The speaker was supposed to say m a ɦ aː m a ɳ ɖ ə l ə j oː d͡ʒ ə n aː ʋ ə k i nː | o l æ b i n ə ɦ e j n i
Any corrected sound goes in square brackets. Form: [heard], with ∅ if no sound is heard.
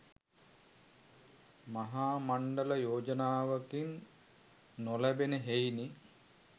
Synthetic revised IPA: m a ɦ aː m a ɳ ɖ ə l ə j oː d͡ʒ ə n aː ʋ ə k i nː | o l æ b [e] n ə ɦ e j n i